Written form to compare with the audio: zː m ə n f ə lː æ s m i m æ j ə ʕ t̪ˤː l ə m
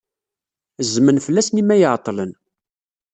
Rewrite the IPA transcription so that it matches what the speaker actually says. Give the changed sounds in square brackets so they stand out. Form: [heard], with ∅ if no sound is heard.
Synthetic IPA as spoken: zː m ə n f ə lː æ s [n] i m æ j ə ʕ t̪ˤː l ə [n]

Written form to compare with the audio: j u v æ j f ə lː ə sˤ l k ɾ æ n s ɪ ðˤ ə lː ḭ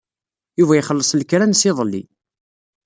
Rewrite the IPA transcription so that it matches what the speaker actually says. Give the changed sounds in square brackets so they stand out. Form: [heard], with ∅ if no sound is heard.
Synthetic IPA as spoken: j u v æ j [χ] ə lː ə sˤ l k ɾ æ n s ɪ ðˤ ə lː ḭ

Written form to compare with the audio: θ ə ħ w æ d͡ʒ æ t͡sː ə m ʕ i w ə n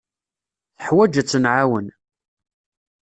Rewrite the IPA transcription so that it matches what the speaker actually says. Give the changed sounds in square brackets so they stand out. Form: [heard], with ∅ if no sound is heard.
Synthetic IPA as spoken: θ ə ħ w æ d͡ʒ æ t͡sː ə [n] ʕ [a] w ə n

